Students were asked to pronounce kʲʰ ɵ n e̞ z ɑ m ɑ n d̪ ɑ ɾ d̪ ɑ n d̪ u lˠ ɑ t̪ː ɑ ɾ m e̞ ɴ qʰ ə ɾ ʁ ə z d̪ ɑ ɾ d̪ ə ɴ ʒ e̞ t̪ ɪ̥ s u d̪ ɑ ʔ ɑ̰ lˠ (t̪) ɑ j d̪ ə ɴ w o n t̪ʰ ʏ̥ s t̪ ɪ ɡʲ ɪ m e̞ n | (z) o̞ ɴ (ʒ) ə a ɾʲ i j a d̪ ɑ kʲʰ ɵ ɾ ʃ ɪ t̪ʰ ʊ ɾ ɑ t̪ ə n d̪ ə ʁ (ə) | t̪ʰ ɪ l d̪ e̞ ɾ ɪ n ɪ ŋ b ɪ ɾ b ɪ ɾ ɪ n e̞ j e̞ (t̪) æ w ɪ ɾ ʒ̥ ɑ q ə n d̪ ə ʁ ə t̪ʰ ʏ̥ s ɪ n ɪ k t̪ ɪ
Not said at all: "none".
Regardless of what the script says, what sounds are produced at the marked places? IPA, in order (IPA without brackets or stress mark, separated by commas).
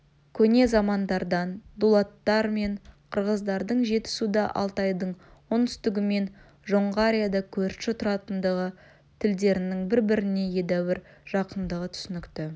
t̪, ʒ, ʁ, ə, d̪